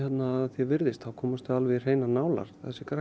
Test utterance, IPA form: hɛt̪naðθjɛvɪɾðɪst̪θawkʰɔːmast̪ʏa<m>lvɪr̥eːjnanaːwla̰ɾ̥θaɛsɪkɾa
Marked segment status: incorrect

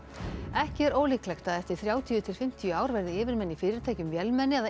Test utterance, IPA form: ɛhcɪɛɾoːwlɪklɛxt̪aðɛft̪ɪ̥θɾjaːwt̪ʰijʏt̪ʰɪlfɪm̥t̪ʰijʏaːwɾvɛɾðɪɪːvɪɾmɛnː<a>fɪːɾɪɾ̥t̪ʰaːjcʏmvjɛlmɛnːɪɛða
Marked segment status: incorrect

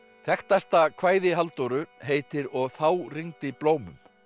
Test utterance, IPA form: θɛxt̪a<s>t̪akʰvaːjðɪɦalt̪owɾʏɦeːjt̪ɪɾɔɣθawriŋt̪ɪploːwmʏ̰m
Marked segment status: correct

